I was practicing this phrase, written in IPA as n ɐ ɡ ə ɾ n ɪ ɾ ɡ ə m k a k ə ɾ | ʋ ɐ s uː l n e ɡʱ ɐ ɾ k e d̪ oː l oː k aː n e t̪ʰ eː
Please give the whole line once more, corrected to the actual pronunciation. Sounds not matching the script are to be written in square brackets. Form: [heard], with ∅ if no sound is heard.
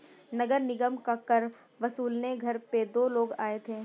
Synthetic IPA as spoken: n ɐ ɡ ə ɾ n ɪ [∅] ɡ ə m k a k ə ɾ | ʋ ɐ s uː l n e ɡʱ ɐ ɾ [p] e d̪ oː l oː [ɡ] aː [∅] e t̪ʰ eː